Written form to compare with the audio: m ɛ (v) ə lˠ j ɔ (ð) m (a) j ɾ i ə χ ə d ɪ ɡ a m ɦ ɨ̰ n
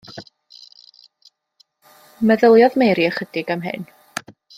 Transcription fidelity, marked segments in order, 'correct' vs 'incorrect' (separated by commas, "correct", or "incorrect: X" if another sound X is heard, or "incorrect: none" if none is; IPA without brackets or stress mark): incorrect: ð, correct, incorrect: e